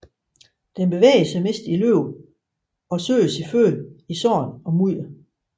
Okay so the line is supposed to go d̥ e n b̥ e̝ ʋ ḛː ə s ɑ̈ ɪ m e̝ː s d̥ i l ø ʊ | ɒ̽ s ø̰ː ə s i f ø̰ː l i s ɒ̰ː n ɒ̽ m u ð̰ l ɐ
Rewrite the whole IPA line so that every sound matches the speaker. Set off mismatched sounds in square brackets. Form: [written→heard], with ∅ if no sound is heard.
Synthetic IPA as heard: d̥ e n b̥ e̝ ʋ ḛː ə s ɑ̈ ɪ m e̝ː s d̥ i l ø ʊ | ɒ̽ s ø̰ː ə s i f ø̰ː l i s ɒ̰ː n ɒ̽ m u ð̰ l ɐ